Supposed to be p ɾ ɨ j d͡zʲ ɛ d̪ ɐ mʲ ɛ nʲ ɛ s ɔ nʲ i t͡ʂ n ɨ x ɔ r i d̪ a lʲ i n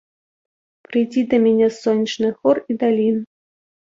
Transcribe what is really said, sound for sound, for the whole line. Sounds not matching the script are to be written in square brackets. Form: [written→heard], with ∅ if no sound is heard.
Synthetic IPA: p ɾ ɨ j d͡zʲ [ɛ→i] d̪ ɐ mʲ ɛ nʲ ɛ s ɔ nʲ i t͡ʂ n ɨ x ɔ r i d̪ a lʲ i n